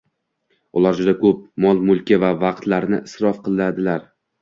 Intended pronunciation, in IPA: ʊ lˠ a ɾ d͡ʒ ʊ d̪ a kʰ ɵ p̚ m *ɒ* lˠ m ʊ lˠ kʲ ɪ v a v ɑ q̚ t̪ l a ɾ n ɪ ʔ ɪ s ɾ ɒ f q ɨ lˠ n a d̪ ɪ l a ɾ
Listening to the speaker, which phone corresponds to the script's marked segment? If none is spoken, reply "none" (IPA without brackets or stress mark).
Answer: ɒ